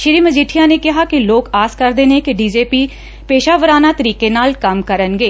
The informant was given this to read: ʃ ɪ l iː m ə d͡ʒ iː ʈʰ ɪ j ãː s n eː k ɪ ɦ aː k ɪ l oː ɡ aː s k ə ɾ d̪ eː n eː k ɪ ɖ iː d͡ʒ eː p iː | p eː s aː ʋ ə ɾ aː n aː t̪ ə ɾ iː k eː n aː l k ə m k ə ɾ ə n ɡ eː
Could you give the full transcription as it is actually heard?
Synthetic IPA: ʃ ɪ ɾ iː m ə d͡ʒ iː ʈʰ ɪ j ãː n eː k ɪ ɦ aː k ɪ l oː k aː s k ə ɾ d̪ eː n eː k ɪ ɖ iː d͡ʒ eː p iː | p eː ʃ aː ʋ ə ɾ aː n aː t̪ ə ɾ iː k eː n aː l k ə m k ə ɾ ə n ɡ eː